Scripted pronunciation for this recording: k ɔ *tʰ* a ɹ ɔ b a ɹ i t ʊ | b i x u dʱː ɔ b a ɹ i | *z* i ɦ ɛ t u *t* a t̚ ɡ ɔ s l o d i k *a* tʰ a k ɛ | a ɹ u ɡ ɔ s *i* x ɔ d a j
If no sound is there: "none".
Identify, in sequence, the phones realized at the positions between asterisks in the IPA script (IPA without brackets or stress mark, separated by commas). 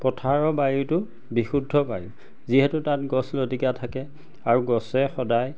tʰ, z, t, a, ɛ